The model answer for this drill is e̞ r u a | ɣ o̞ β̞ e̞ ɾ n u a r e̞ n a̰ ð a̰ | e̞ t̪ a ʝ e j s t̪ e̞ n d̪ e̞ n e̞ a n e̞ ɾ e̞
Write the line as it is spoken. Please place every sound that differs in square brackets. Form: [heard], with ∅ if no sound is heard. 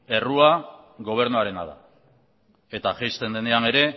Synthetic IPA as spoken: e̞ r u a | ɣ o̞ β̞ e̞ ɾ n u a [ɾ] e̞ n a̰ ð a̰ | e̞ t̪ a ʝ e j s t̪ e̞ n d̪ e̞ n e̞ a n e̞ ɾ e̞